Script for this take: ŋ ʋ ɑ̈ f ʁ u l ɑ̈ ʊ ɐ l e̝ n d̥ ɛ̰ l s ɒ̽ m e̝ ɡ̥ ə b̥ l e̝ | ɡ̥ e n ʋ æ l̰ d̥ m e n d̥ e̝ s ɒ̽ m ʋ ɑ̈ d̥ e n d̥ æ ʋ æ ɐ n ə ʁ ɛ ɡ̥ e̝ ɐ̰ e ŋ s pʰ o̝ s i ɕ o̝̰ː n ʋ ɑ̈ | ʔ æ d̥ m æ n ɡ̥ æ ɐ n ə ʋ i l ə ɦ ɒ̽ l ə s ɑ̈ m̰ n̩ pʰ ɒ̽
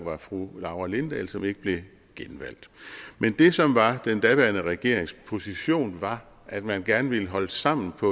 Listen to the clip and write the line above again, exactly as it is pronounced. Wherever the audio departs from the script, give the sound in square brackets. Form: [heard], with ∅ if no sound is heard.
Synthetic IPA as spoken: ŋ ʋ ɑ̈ f ʁ u l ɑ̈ ʊ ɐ l e̝ n d̥ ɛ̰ l s ɒ̽ m e̝ ɡ̥ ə b̥ l e̝ | ɡ̥ e n ʋ æ l̰ d̥ m e n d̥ e̝ s ɒ̽ m ʋ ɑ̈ d̥ e n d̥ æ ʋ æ ɐ n ə ʁ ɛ ɡ̥ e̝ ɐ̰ e ŋ s pʰ o̝ s i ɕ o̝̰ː n ʋ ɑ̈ | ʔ æ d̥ m æ n ɡ̥ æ ɐ n ə ʋ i l ə ɦ ɒ̽ l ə s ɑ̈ m̰ n̩ pʰ ɒ̽